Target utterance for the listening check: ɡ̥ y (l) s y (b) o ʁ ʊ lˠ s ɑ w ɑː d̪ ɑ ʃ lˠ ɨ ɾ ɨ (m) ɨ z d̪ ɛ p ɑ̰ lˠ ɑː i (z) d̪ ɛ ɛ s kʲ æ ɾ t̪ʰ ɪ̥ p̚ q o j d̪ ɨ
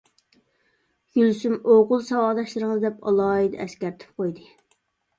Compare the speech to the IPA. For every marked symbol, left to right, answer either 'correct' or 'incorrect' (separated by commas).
correct, incorrect, incorrect, incorrect